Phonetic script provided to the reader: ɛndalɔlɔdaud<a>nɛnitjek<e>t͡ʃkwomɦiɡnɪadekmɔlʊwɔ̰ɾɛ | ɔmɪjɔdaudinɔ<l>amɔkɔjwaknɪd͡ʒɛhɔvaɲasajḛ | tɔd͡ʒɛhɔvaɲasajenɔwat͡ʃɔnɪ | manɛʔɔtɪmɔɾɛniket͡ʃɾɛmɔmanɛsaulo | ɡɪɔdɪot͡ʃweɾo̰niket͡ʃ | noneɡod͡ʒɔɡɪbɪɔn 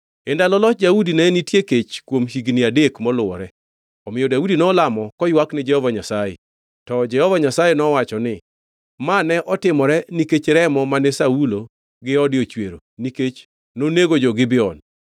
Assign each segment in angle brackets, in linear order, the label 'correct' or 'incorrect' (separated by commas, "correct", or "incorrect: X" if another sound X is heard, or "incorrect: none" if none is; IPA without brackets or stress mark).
incorrect: i, correct, correct